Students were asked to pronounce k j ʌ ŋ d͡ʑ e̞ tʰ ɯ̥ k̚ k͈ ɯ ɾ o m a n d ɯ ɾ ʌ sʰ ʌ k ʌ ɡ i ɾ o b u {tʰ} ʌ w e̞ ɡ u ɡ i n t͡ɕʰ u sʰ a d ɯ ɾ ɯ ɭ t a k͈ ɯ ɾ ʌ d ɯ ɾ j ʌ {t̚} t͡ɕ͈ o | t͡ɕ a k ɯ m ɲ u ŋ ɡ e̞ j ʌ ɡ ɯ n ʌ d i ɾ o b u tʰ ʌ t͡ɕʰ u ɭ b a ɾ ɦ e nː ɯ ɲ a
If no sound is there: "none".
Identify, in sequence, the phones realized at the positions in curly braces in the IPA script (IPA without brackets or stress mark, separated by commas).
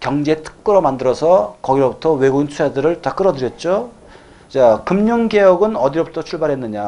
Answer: tʰ, t̚